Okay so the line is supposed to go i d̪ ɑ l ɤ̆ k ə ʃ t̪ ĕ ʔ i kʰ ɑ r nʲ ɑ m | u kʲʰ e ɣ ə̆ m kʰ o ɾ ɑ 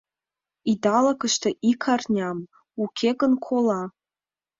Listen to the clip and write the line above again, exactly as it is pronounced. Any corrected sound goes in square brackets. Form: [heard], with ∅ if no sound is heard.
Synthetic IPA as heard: i d̪ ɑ l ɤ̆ k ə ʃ t̪ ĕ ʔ i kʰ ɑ r nʲ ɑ m | u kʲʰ e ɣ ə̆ [n] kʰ o [l] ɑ